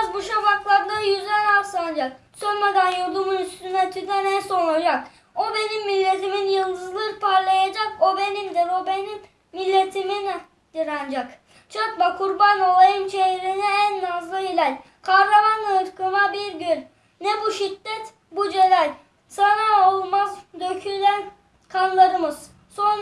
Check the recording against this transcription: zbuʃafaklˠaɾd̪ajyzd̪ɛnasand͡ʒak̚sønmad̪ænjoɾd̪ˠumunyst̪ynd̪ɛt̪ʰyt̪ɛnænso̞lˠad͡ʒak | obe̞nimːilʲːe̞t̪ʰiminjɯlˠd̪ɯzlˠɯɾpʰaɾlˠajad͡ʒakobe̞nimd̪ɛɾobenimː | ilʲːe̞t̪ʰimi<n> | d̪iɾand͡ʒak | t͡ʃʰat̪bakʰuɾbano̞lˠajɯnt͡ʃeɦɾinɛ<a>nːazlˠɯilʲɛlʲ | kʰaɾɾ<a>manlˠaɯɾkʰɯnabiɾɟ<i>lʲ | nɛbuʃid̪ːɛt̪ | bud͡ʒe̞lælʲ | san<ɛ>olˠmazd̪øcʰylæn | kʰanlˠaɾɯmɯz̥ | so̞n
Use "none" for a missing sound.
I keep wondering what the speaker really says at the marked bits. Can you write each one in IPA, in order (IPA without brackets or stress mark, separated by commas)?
n, æ, a, y, a